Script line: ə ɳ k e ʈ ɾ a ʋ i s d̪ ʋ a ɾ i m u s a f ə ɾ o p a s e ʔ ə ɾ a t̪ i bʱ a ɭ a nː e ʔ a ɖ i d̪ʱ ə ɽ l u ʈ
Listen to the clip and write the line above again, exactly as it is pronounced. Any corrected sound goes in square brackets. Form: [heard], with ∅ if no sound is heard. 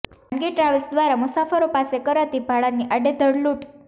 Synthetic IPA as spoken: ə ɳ [ɡ] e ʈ ɾ a ʋ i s d̪ ʋ a ɾ [a] m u s a f ə ɾ o p a s e [k] ə ɾ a t̪ i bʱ a ɭ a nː [i] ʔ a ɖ [e] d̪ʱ ə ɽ l u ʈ